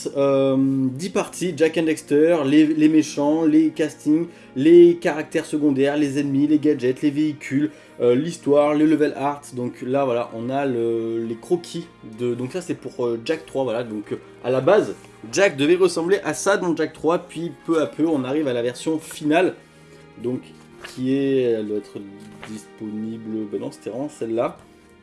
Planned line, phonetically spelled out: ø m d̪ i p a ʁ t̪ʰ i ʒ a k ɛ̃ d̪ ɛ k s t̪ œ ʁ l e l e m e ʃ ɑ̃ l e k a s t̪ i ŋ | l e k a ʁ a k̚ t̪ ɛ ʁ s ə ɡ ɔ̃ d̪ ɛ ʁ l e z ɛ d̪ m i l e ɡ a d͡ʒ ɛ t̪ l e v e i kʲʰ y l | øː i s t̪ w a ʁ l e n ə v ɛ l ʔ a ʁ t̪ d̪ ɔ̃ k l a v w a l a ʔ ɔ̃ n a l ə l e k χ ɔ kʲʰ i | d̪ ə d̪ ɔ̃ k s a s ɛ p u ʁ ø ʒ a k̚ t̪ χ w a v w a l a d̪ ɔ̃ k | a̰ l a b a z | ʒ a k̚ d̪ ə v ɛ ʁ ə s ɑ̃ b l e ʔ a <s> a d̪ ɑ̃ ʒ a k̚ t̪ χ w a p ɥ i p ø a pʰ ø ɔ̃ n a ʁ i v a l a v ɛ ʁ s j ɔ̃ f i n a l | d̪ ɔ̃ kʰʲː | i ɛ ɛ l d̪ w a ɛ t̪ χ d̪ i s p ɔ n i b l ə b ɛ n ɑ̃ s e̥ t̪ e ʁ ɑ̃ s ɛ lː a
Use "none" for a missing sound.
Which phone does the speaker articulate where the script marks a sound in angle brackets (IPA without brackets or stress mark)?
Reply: s